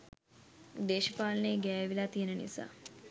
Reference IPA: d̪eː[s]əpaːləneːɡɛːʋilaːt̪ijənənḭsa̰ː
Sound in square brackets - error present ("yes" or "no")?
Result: yes